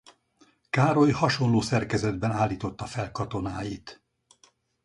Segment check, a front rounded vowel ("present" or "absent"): absent